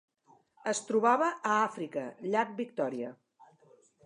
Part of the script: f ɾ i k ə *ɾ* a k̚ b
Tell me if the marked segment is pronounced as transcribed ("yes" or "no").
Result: no